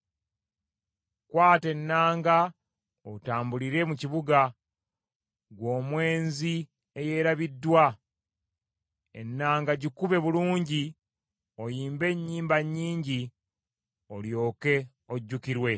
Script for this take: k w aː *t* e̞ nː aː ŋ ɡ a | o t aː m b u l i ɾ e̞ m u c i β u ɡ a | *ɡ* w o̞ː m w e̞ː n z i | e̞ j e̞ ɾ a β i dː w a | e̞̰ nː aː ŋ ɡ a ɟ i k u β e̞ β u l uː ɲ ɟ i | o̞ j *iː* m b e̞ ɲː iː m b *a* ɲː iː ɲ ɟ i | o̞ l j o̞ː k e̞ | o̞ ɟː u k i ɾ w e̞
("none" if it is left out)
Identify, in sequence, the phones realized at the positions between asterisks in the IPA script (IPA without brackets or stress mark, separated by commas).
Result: t, ɡ, iː, a